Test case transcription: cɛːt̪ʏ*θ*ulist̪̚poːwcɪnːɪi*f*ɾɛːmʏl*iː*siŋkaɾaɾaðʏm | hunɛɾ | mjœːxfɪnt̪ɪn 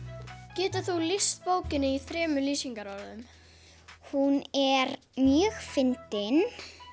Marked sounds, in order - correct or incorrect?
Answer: correct, incorrect: θ, correct

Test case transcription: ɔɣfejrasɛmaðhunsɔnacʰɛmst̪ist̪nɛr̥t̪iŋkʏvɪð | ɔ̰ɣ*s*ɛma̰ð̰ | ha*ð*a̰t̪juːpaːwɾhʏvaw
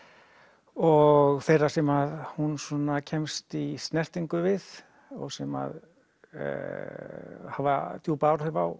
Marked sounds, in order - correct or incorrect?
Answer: correct, incorrect: v

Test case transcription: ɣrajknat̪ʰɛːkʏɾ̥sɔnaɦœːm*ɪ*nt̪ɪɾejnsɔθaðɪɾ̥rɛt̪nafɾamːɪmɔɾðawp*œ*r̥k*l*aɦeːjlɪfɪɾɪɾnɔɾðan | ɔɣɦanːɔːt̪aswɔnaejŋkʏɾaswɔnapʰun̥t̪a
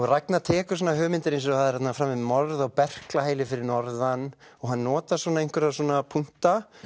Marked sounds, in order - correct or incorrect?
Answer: correct, incorrect: ɛ, correct

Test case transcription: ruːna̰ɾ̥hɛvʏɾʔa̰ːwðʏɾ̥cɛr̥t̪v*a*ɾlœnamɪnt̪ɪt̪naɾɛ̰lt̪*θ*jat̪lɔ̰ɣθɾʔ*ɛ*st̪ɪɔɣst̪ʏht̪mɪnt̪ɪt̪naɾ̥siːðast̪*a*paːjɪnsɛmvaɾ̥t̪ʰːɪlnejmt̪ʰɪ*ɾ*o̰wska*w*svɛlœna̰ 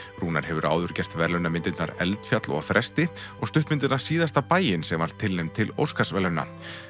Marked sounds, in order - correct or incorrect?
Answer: incorrect: ɛ, incorrect: f, correct, correct, incorrect: l, incorrect: none

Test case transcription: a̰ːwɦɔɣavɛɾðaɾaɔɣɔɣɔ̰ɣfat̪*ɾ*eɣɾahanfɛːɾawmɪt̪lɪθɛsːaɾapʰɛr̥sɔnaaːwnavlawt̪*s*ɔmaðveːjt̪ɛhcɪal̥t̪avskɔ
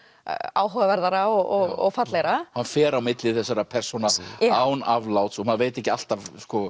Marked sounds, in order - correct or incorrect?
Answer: incorrect: l, correct

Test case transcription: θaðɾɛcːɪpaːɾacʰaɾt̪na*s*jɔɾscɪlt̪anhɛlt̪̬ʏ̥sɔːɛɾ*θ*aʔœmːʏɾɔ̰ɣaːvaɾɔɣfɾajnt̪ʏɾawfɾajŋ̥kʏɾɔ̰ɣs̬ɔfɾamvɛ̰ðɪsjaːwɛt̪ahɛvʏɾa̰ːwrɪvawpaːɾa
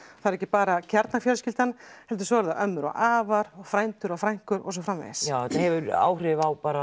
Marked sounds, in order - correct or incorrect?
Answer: incorrect: f, incorrect: ð

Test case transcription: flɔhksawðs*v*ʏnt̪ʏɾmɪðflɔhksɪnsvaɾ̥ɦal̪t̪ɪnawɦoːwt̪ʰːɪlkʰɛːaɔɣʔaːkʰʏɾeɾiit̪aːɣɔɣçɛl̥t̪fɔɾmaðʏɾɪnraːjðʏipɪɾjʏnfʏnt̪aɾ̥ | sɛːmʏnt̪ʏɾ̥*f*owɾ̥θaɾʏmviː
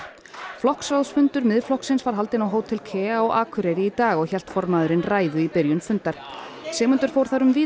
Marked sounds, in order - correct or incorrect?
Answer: incorrect: f, correct

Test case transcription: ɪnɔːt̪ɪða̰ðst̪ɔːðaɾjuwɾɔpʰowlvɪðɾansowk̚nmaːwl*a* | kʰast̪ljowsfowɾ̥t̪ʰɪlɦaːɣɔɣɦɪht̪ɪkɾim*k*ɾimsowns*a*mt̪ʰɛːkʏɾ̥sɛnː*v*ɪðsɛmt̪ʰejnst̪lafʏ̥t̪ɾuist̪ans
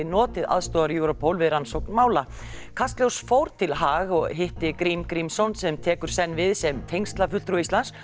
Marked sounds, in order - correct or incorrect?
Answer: correct, correct, incorrect: ɛ, correct

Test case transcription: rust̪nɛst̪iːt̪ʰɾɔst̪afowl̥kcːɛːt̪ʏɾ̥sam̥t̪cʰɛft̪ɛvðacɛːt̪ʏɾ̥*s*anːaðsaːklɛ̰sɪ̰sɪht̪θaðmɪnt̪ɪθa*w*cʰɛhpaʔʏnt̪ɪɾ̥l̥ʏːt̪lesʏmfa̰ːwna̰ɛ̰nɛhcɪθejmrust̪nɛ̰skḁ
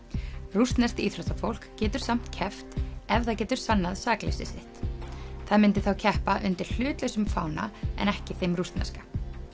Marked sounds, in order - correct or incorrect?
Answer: correct, correct

